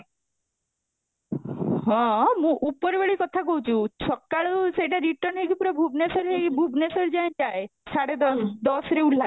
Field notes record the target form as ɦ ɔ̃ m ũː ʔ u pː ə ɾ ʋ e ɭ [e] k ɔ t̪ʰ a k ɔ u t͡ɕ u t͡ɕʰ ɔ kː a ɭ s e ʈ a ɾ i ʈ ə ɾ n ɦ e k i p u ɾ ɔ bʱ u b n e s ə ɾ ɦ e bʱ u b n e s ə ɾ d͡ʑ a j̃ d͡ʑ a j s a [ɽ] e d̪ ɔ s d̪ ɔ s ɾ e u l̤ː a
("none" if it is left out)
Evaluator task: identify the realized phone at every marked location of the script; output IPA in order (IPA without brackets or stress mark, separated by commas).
i, ɽ